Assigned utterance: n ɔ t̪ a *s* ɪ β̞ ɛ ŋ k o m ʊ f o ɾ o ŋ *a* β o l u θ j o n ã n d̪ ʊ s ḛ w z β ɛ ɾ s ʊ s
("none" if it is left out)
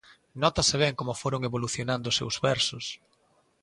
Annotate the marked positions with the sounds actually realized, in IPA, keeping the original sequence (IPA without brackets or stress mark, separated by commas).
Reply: s, e